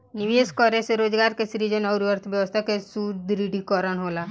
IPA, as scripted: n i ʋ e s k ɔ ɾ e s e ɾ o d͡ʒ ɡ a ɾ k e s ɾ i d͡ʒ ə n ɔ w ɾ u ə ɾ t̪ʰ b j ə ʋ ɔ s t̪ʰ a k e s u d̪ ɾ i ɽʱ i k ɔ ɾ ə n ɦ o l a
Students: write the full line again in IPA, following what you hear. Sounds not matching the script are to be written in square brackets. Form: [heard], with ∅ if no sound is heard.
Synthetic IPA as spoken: n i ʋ e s k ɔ ɾ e s e ɾ o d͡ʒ ɡ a ɾ k e s ɾ i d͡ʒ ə n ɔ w ɾ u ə ɾ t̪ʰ b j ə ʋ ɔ s t̪ʰ a k e s u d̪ ɾ i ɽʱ i k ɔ ɾ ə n ɦ o l a